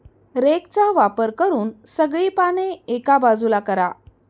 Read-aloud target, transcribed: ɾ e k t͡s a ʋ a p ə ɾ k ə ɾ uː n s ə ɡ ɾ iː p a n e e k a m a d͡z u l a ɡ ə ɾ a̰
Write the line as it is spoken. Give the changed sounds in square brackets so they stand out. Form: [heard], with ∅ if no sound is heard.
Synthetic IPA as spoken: ɾ e k t͡s a ʋ a p ə ɾ k ə ɾ uː n s ə ɡ [ɭ] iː p a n e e k a [b] a d͡z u l a [k] ə ɾ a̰